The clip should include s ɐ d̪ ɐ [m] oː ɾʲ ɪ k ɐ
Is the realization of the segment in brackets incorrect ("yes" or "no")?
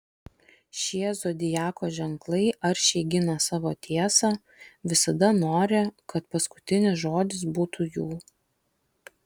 yes